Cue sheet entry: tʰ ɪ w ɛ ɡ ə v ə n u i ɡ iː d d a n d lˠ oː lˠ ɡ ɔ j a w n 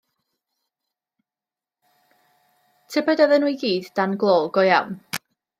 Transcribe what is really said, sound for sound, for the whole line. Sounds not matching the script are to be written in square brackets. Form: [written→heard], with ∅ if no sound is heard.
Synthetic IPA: tʰ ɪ [w→b] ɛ [ɡ→d] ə [v→ð] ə n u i ɡ iː d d a n [d→ɡ] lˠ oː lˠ ɡ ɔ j a w n